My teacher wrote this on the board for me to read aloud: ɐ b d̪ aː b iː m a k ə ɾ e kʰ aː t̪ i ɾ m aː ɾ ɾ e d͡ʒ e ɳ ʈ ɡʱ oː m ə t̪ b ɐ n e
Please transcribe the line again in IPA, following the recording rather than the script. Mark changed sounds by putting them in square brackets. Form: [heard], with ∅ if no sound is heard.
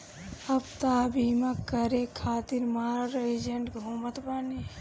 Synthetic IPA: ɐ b [t̪] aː b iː m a k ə ɾ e kʰ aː t̪ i ɾ m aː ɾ ɾ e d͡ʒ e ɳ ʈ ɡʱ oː m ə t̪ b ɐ n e